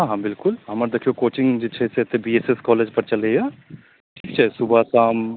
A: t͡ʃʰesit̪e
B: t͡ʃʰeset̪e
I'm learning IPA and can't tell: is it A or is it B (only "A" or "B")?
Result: B